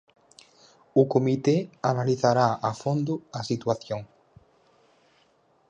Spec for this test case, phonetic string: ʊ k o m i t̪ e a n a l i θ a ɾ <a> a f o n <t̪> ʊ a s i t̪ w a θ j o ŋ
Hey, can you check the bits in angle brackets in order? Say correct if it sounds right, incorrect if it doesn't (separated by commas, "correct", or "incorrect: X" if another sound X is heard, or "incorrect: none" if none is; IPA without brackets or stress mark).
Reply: correct, incorrect: d̪